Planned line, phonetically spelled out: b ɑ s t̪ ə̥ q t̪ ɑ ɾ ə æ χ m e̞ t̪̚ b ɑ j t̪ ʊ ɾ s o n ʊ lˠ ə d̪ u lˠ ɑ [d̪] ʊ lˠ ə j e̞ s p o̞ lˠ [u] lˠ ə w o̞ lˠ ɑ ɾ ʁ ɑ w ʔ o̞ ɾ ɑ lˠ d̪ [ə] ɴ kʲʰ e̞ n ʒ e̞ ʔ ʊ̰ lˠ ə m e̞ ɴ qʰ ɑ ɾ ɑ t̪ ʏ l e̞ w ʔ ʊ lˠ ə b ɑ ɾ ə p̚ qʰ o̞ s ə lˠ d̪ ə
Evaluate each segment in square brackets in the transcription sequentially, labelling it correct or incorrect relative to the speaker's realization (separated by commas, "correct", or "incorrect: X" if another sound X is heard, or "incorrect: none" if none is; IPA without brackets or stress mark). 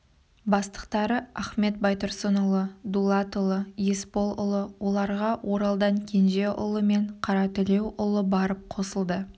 incorrect: t̪, incorrect: ʊ, incorrect: ɑ